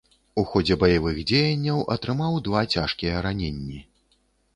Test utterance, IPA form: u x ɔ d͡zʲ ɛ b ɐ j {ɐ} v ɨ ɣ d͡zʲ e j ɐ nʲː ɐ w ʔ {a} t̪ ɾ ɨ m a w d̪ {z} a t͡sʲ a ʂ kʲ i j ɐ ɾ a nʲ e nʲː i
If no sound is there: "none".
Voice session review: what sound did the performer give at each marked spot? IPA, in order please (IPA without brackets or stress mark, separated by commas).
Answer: a, ɐ, v